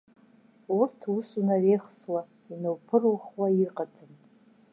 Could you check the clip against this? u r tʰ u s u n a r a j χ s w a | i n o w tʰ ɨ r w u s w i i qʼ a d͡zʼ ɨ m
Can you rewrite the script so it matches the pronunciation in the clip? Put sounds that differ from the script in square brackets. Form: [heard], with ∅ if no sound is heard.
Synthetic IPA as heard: u r tʰ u s u n a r [e] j χ s w a | i n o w [pʰ] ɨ r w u [χ] w [a] i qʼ a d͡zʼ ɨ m